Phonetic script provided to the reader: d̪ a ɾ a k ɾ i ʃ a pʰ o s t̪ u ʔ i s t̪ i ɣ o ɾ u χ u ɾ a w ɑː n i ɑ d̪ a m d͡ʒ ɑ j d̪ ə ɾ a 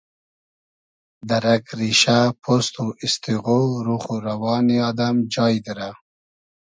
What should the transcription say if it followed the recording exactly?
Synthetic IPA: d̪ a ɾ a k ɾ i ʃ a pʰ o s t̪ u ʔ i s t̪ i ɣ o ɾ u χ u ɾ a w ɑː n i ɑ d̪ a m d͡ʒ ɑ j d̪ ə ɾ a